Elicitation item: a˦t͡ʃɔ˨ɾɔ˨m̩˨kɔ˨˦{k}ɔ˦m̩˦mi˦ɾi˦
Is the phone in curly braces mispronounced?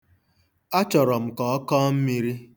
no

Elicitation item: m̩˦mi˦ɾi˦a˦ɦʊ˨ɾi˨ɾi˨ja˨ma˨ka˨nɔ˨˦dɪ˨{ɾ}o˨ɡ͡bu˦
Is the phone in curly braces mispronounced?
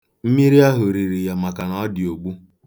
yes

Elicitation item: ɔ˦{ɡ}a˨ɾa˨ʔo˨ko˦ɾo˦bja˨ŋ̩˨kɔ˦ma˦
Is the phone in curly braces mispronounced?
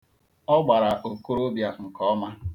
yes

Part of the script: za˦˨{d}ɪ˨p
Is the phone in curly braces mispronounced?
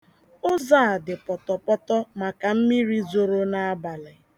no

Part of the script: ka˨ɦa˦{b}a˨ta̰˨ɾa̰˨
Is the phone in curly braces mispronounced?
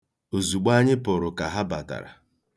no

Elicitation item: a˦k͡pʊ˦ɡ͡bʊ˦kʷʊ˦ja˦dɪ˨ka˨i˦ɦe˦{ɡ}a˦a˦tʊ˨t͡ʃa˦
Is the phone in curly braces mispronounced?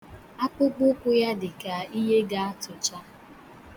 no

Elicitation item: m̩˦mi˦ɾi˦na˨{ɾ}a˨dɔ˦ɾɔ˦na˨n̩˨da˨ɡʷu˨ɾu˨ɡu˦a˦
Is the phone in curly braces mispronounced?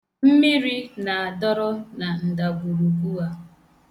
yes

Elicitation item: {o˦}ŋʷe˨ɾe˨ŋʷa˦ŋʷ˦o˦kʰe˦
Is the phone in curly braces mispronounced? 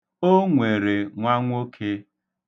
no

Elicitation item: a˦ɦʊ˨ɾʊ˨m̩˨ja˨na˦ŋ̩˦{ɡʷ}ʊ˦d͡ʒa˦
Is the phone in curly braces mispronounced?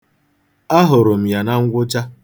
no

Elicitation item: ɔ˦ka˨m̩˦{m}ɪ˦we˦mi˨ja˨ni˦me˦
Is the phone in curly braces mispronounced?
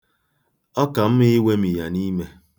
no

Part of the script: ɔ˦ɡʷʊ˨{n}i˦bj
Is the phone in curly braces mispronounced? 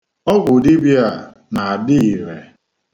yes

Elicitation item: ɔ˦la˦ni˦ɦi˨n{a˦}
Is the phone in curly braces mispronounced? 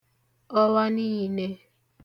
yes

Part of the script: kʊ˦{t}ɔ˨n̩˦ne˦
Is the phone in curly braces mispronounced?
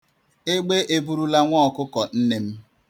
yes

